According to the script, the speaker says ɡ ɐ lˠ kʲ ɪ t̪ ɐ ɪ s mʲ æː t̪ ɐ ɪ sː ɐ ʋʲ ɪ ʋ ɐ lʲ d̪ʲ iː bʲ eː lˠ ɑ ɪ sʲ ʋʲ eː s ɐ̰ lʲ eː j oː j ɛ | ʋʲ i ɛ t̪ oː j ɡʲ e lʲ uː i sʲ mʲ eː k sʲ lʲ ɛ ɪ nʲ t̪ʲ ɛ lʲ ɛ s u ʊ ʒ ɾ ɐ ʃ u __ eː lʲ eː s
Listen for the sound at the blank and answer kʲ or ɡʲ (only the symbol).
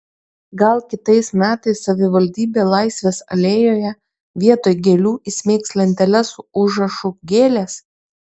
ɡʲ